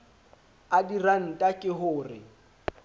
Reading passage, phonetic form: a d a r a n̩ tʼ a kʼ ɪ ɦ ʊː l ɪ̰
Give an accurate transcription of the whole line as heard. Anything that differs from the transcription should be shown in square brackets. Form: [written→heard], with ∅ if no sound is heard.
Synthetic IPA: a d [a→i] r a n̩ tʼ a kʼ ɪ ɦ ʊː [l→r] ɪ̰

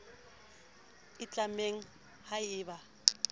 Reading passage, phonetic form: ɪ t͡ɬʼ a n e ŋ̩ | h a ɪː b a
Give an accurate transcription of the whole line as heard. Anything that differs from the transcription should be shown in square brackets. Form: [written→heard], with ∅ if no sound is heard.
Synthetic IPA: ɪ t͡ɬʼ a [n→m] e ŋ̩ | h a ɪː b a

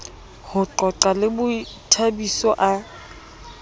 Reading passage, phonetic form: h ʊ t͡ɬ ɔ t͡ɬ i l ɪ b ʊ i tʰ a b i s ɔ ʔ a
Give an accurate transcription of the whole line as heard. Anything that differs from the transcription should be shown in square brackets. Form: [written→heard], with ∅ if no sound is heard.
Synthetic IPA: h ʊ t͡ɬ ɔ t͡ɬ [i→a] l ɪ b ʊ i tʰ a b i s ɔ ʔ a

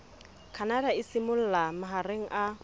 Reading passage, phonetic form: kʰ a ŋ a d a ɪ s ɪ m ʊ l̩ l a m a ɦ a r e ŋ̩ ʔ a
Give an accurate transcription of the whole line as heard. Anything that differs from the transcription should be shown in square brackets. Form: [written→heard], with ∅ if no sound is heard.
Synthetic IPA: kʰ a [ŋ→n] a d a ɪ s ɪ m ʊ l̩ l a m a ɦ a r e ŋ̩ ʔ a

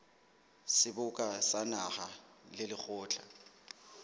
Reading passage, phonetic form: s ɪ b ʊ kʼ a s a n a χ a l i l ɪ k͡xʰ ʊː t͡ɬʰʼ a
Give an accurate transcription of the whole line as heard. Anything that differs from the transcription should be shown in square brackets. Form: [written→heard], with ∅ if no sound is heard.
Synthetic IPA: s ɪ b ʊ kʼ a s a n a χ a l [i→ɪ] l ɪ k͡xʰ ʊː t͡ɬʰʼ a

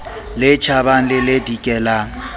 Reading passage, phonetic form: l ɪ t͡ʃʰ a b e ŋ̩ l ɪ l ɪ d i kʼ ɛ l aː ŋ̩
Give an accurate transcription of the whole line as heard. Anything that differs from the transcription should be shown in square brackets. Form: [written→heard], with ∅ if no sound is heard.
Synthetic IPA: l ɪ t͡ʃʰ a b [e→a] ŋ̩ l ɪ l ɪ d i kʼ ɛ l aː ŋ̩

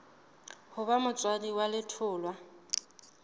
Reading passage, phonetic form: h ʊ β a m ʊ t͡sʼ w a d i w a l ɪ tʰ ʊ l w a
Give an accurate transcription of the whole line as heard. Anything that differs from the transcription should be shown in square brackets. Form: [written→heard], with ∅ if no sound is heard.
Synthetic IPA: h ʊ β a m ʊ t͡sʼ w a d i w a l ɪ tʰ [ʊ→ʊː] l w a

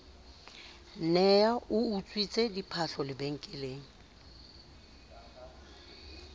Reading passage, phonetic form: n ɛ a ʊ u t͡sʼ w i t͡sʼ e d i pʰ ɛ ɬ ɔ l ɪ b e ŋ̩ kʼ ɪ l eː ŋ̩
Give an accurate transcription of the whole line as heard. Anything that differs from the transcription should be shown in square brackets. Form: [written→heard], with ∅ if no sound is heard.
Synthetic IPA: n ɛ a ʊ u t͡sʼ w i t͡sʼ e d i pʰ [ɛ→a] ɬ ɔ l ɪ b e ŋ̩ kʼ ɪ l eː ŋ̩

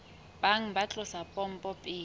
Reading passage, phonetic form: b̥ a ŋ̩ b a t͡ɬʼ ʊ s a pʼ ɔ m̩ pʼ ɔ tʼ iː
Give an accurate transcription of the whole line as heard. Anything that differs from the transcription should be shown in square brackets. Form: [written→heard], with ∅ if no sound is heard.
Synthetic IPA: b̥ a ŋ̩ b a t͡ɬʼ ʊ s a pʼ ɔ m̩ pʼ ɔ [tʼ→pʼ] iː

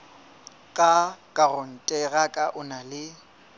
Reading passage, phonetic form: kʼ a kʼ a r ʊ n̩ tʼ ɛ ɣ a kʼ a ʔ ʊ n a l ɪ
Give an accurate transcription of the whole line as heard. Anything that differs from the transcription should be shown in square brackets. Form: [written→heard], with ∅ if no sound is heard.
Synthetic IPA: kʼ a kʼ a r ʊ n̩ tʼ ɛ ɣ a kʼ a ʔ ʊ n a l ɪ

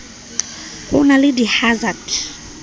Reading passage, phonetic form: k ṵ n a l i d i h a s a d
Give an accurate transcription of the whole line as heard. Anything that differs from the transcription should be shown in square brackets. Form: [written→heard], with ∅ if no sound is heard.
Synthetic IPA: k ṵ n a l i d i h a [s→z] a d

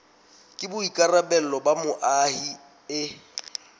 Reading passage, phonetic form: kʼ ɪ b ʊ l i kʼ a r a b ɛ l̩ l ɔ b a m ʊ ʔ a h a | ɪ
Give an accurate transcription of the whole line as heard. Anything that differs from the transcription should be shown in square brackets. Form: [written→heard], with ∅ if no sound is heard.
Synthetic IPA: kʼ ɪ b ʊ [l→∅] i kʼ a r a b ɛ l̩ l ɔ b a m ʊ ʔ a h [a→i] | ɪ

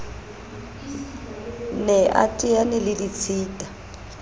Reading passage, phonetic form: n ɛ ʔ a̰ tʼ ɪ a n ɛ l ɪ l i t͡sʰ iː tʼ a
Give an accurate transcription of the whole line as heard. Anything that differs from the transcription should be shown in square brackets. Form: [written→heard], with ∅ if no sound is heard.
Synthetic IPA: n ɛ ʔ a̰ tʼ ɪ a n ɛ l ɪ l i t͡sʰ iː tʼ a

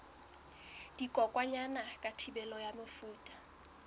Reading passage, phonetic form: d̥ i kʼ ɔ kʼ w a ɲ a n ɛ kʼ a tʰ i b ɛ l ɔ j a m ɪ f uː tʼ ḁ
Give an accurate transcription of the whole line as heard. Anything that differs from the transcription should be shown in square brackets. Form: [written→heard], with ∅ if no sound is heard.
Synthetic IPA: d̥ i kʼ ɔ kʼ w a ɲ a n [ɛ→a] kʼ a tʰ i b ɛ l ɔ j a m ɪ f uː tʼ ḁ

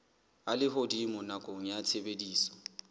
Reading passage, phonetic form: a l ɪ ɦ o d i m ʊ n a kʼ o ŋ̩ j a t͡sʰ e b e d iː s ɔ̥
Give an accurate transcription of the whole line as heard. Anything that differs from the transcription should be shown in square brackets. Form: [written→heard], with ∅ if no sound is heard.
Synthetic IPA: a l ɪ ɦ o d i m ʊ n a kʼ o ŋ̩ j a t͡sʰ e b e d iː s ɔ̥

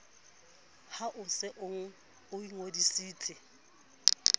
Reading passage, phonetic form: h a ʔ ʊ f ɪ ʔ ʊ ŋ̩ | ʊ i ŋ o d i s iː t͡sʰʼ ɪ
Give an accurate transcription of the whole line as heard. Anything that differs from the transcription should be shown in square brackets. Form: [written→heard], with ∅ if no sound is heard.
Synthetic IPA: h a ʔ ʊ [f→s] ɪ ʔ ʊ ŋ̩ | ʊ i ŋ o d i s iː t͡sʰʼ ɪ

